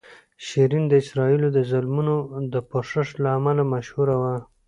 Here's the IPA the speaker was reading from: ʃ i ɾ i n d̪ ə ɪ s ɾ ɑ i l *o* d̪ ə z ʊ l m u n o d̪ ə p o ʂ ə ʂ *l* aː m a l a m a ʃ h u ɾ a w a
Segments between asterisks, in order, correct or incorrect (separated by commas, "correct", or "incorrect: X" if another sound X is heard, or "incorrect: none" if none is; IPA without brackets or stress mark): correct, correct